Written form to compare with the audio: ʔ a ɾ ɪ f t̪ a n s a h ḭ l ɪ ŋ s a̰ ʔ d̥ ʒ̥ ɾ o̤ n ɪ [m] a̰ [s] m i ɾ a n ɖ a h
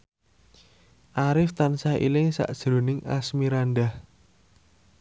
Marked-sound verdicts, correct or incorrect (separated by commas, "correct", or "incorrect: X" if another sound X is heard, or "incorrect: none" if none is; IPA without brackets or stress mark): incorrect: ŋ, correct